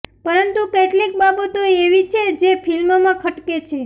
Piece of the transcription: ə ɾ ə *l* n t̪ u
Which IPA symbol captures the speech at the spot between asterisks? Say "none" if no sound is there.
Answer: none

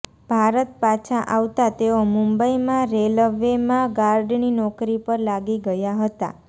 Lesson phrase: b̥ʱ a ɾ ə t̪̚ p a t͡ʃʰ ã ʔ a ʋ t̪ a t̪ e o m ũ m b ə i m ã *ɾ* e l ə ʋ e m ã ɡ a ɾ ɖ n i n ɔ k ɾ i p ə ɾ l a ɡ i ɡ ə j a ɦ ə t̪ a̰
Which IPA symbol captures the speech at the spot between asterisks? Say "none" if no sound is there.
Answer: ɾ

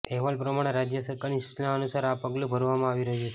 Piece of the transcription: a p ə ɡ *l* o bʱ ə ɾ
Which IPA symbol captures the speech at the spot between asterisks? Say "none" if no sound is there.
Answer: l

